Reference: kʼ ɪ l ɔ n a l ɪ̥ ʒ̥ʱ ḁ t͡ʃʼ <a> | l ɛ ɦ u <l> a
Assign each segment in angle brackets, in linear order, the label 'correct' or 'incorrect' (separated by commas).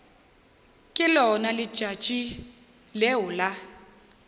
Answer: incorrect, correct